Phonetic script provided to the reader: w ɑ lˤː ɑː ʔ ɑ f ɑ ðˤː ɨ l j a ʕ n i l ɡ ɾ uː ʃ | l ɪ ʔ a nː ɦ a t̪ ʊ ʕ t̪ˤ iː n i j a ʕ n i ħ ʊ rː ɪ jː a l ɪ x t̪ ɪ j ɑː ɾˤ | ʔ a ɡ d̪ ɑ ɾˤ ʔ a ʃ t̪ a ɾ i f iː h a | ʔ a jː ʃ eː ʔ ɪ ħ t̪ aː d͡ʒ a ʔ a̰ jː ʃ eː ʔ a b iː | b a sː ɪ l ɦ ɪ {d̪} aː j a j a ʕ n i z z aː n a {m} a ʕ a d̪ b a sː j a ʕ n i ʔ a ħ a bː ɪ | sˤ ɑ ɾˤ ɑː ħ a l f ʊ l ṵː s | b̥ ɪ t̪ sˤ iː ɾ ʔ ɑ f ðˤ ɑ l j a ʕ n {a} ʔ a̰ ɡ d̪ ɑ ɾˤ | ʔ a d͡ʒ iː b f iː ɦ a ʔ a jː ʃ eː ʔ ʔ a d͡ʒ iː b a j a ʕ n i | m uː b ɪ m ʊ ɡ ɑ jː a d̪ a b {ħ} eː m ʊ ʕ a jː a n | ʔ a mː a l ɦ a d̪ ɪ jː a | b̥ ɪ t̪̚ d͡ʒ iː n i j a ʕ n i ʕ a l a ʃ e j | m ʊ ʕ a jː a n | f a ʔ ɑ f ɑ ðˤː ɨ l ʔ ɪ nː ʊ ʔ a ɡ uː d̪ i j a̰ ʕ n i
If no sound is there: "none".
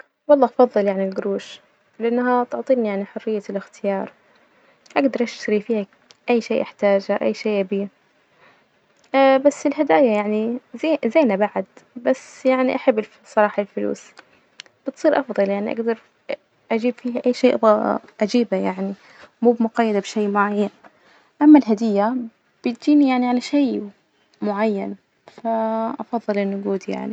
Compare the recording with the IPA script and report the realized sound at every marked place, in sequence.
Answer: d̪, b, i, ʃ

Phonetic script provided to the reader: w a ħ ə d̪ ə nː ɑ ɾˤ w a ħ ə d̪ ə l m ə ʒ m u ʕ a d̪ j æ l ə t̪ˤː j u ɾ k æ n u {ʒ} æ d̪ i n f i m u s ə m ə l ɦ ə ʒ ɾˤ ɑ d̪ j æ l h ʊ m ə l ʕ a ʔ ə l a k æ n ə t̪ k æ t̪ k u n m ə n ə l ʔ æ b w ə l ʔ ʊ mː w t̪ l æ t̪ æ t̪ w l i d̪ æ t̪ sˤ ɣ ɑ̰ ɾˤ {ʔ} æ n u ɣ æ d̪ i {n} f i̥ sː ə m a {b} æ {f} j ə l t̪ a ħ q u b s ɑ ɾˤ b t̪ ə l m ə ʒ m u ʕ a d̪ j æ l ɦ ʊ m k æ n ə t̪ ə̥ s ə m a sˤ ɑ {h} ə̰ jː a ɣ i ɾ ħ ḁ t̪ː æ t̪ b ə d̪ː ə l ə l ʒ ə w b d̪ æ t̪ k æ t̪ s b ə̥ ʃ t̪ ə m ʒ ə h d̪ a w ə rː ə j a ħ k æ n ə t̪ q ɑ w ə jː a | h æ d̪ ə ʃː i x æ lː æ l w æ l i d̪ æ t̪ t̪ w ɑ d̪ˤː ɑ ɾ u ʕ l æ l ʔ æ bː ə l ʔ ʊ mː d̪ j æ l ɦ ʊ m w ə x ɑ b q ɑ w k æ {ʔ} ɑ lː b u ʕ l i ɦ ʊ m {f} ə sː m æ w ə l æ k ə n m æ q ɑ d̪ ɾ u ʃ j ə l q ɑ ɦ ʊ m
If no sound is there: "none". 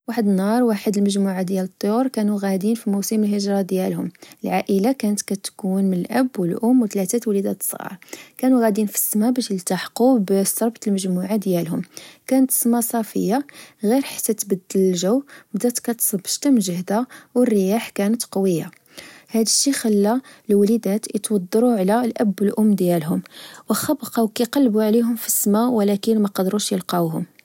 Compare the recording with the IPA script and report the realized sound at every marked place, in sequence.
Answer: ɣ, k, n, b, ʃ, f, q, f

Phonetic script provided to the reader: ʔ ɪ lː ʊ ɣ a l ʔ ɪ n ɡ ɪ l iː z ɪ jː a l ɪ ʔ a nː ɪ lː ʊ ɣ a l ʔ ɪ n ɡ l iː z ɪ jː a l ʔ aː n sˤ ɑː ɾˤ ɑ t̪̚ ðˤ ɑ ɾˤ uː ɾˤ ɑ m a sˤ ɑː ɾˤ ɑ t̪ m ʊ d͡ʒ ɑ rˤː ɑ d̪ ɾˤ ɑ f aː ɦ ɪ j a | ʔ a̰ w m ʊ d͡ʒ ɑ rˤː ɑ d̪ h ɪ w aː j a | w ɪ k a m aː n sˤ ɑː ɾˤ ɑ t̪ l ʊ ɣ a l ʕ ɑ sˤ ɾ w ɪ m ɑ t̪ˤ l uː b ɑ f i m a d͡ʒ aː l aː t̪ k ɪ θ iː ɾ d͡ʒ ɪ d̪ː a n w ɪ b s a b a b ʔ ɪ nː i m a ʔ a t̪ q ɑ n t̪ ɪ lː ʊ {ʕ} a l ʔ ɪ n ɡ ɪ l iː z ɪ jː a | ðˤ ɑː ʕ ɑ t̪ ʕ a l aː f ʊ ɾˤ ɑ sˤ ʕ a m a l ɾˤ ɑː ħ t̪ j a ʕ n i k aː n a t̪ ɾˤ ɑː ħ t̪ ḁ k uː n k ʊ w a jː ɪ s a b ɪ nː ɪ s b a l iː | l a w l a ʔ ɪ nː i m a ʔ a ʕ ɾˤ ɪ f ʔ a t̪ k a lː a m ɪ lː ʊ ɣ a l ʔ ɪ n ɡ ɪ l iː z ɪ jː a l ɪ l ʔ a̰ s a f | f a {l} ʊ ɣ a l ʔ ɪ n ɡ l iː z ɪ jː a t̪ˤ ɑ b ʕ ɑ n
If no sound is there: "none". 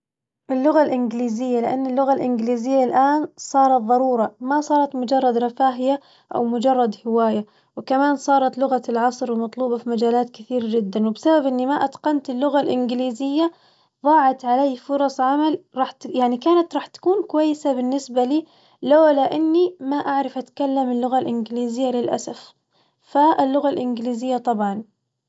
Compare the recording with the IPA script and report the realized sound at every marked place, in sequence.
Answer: ɣ, lː

